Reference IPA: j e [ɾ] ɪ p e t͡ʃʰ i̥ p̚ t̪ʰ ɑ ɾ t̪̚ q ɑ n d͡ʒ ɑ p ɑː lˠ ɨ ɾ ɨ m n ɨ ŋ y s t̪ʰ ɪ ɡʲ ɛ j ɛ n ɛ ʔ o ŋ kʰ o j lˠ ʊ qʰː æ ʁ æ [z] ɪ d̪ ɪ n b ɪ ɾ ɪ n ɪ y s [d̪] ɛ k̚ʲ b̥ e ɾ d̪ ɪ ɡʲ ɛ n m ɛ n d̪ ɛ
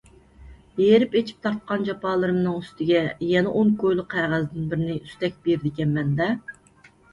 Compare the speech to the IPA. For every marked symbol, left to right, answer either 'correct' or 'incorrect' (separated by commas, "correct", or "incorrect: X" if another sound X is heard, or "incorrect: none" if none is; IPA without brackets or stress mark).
correct, correct, incorrect: t̪